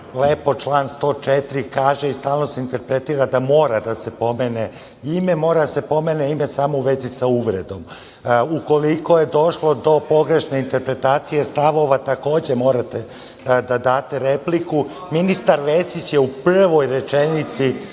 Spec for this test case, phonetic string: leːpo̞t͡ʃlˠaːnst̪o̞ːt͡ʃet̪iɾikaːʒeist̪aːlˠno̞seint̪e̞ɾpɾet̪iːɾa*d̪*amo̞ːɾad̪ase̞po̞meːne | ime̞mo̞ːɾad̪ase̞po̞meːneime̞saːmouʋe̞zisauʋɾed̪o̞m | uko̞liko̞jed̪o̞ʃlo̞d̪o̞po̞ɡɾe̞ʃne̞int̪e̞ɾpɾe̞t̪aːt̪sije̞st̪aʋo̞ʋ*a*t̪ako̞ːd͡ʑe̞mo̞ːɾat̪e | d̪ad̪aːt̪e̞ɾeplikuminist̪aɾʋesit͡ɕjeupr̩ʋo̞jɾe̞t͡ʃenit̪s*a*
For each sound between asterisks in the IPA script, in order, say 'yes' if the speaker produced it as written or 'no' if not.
yes, yes, no

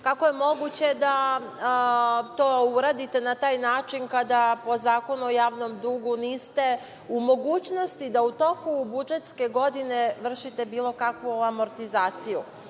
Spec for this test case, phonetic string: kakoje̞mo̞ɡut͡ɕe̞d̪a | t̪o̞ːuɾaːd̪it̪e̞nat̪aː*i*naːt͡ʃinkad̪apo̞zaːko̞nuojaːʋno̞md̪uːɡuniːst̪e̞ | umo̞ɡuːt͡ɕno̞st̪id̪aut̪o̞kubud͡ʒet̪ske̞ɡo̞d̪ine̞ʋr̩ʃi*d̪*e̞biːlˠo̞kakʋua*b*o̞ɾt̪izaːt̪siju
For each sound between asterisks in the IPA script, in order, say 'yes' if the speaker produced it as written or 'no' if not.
no, no, no

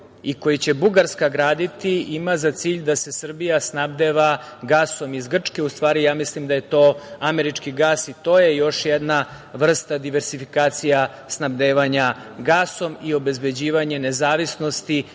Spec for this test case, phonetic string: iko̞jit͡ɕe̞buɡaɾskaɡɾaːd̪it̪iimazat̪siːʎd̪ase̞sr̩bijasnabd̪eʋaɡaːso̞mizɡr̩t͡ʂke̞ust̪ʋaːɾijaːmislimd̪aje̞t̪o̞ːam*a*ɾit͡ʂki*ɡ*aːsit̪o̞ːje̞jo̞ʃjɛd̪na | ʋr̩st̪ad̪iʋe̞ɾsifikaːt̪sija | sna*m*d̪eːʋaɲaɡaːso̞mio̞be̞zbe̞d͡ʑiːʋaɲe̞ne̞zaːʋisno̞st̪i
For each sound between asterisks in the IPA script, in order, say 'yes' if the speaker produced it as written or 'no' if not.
no, yes, no

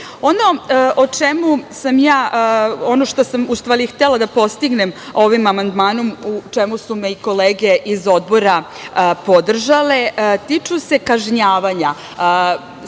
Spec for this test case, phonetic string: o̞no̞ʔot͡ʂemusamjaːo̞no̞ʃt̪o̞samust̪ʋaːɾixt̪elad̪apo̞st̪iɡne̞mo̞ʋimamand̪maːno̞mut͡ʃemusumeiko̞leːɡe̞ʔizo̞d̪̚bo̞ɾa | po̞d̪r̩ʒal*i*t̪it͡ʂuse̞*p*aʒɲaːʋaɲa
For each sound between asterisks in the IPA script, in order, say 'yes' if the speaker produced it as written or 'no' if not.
no, no

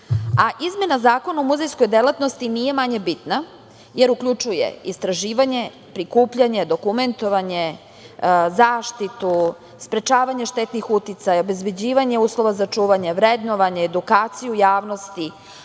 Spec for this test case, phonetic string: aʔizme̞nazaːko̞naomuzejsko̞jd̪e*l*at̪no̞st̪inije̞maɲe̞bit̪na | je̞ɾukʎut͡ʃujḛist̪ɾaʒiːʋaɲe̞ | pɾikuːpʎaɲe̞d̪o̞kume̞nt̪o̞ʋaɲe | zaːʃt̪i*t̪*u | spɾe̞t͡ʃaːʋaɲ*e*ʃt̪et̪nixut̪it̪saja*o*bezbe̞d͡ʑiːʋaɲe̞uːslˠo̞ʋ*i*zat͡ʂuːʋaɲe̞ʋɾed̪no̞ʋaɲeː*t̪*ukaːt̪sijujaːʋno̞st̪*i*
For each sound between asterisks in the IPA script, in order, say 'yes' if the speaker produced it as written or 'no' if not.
yes, yes, yes, yes, no, no, yes

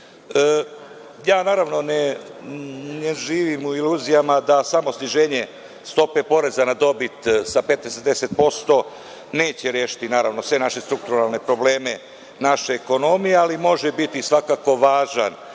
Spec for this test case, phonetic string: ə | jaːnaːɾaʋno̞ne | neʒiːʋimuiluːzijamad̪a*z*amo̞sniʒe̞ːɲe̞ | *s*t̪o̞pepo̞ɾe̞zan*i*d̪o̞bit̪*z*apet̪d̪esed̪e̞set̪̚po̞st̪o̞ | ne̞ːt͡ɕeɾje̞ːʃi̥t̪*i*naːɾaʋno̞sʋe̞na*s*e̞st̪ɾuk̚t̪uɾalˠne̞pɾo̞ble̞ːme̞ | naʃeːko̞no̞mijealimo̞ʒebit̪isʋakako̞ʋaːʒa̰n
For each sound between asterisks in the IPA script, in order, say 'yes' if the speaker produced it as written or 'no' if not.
no, yes, no, no, yes, no

